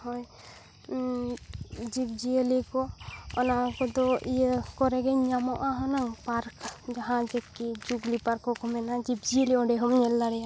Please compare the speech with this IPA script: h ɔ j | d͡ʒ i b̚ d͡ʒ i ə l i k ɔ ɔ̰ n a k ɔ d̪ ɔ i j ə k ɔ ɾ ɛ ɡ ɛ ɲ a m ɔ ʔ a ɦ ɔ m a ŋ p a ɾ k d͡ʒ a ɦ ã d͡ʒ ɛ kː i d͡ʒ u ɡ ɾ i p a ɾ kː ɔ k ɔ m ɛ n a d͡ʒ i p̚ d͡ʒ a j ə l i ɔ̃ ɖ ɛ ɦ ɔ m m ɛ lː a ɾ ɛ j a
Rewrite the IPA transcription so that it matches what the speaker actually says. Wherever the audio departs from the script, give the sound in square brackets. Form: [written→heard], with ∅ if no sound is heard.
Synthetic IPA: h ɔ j | d͡ʒ i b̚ d͡ʒ i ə l i k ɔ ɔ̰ n a k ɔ d̪ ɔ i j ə k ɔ ɾ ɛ ɡ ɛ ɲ a m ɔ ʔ a ɦ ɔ [m→n] a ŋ p a ɾ k d͡ʒ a ɦ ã d͡ʒ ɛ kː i d͡ʒ u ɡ [ɾ→l] i p a ɾ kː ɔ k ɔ m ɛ n a d͡ʒ i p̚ d͡ʒ [a→i] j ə l i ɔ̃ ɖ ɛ ɦ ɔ m [m→ɲ] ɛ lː a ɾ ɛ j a

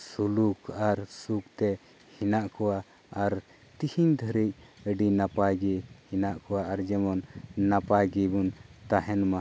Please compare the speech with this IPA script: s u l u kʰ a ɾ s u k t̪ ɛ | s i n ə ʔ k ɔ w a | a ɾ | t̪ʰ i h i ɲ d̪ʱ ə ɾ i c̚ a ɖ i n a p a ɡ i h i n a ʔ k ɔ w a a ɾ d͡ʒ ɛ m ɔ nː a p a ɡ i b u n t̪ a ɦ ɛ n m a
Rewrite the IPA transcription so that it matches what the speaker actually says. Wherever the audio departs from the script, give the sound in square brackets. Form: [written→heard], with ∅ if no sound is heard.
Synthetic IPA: s u l u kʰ a ɾ s u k t̪ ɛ | [s→h] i n [ə→a] ʔ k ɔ w a | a ɾ | [t̪ʰ→t̪] i h i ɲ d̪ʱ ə ɾ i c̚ [a→ə] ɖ i n a p a ɡ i h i n a ʔ k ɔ w a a ɾ d͡ʒ ɛ m ɔ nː a p a ɡ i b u n t̪ a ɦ ɛ n m a

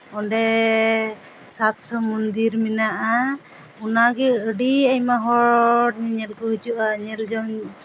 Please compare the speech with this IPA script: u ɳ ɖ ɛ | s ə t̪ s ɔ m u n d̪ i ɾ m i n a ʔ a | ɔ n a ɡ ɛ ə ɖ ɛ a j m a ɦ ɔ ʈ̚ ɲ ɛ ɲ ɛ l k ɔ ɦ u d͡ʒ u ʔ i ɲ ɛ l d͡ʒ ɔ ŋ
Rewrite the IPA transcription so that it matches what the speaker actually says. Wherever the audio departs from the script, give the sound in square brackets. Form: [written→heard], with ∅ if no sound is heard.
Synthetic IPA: [u→ɔ] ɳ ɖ ɛ | s [ə→a] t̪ s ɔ m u n d̪ i ɾ m i n a ʔ a | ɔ n a ɡ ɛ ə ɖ [ɛ→i] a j m a ɦ ɔ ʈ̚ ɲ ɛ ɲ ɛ l k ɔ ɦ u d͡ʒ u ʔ [i→a] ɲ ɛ l d͡ʒ ɔ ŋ

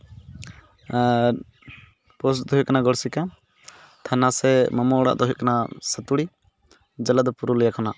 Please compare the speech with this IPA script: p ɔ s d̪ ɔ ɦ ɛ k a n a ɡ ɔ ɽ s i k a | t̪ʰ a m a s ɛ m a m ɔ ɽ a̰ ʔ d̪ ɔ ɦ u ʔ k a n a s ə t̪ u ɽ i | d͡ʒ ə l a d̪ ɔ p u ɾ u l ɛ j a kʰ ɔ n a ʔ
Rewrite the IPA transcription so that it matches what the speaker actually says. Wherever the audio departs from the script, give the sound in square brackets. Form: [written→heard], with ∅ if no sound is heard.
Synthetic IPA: p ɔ s d̪ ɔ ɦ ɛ k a n a ɡ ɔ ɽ s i k a | t̪ʰ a [m→n] a s ɛ m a m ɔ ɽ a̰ ʔ d̪ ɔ ɦ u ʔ k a n a s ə t̪ u ɽ i | d͡ʒ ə l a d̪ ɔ p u ɾ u l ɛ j a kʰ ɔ n a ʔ

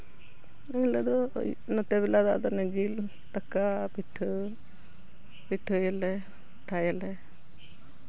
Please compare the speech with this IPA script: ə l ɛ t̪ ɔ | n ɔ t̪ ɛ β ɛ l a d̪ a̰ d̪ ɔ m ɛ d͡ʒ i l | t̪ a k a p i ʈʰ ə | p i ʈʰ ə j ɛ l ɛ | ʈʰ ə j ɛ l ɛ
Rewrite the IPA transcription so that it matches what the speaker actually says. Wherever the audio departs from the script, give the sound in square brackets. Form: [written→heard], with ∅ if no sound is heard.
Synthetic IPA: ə l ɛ [t̪→d̪] ɔ | n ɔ t̪ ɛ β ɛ l a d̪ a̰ d̪ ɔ [m→n] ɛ d͡ʒ i l | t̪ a k a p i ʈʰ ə | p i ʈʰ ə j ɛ l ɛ | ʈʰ [ə→a] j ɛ l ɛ

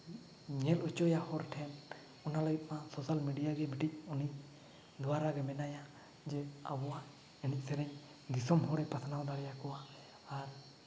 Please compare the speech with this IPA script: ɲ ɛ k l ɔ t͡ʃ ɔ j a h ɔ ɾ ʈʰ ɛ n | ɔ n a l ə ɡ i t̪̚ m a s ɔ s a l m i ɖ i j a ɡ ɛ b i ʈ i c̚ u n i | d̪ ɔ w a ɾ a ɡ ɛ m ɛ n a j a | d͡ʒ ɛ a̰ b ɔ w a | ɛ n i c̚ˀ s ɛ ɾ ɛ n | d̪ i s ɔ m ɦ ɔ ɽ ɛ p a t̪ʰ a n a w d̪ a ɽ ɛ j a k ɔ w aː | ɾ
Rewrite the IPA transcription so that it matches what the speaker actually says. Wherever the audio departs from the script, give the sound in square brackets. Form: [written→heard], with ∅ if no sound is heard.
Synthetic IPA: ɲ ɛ [k→∅] l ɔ t͡ʃ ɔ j a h ɔ ɾ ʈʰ ɛ n | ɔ n a l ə ɡ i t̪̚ m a s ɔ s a l m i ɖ i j a ɡ ɛ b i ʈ i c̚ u n i | d̪ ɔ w a ɾ a ɡ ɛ m ɛ n a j a | d͡ʒ ɛ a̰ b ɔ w a | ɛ n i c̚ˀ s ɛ ɾ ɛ [n→ɲ] | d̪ i s ɔ m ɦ ɔ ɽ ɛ p a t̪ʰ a n a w d̪ a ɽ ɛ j a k ɔ w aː | ɾ

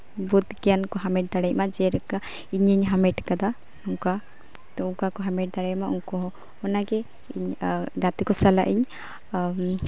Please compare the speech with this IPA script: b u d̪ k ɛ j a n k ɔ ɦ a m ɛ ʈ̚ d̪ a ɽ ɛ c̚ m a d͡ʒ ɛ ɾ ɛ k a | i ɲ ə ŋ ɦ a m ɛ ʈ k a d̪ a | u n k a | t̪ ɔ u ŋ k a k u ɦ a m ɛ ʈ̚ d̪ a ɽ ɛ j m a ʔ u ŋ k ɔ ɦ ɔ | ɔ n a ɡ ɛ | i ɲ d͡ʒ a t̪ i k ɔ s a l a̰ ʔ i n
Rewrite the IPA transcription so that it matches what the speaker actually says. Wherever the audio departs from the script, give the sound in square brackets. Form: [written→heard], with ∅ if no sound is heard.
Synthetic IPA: b u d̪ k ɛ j a n k ɔ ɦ a m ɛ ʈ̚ d̪ a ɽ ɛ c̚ m a d͡ʒ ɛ ɾ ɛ k a | i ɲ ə [ŋ→ɲ] ɦ a m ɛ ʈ k a d̪ a | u [n→ŋ] k a | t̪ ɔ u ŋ k a k [u→ɔ] ɦ a m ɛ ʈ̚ d̪ a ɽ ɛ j m a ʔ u ŋ k ɔ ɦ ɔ | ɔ n a ɡ ɛ | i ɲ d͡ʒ a t̪ i k ɔ s a l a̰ ʔ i [n→ɲ]

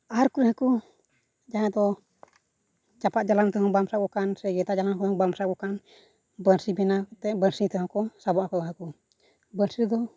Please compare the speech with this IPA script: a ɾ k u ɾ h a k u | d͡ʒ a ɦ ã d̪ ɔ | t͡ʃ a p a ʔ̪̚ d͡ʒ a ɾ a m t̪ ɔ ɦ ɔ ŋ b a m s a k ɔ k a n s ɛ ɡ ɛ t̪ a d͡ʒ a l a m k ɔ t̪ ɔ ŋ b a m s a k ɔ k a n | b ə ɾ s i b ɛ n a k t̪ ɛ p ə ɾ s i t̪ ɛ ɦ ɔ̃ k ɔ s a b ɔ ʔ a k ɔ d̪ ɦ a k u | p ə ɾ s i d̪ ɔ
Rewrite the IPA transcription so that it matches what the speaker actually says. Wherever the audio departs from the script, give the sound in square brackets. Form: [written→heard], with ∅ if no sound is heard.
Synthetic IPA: a ɾ k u ɾ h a k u | d͡ʒ a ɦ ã d̪ ɔ | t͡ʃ a p a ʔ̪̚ d͡ʒ a [ɾ→l] a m t̪ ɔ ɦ ɔ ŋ b a m s a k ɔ k a n s ɛ ɡ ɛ t̪ a d͡ʒ a l a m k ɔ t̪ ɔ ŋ b a m s a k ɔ k a n | b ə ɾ s i b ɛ n a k t̪ ɛ [p→b] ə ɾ s i t̪ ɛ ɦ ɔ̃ k ɔ s a b ɔ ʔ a k ɔ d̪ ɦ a k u | [p→b] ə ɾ s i d̪ ɔ

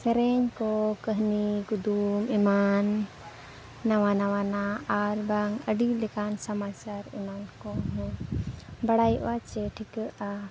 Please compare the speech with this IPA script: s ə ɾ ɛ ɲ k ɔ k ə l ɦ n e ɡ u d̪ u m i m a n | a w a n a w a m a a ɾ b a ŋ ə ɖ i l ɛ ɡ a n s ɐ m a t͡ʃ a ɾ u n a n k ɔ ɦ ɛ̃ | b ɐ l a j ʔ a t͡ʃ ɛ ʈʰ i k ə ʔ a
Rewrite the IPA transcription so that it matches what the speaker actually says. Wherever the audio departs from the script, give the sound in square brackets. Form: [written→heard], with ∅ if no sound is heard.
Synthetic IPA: s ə ɾ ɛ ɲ k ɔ k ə [l→∅] ɦ n [e→i] ɡ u d̪ u m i m a n | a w a n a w a [m→n] a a ɾ b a ŋ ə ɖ i l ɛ [ɡ→k] a n s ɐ m a t͡ʃ a ɾ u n a n k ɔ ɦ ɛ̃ | b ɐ [l→ɽ] a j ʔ a t͡ʃ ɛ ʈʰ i k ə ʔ a

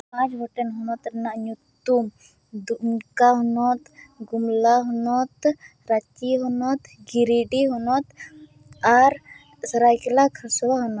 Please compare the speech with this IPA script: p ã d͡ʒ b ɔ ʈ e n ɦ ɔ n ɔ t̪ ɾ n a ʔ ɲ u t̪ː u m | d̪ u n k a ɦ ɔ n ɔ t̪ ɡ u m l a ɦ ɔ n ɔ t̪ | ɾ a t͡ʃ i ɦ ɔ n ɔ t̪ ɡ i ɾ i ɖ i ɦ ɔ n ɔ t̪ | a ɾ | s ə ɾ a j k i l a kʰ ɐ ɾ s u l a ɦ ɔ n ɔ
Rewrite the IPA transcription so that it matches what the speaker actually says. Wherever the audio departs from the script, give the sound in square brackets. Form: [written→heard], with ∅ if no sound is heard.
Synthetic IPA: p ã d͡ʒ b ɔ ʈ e n ɦ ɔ n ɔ t̪ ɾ n a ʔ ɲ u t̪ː u m | d̪ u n k a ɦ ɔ n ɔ t̪ ɡ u m l a ɦ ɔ n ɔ t̪ | ɾ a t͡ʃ i ɦ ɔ n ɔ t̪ ɡ i ɾ i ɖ i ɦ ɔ n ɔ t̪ | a ɾ | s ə ɾ a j k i l a kʰ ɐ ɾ s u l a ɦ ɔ n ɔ

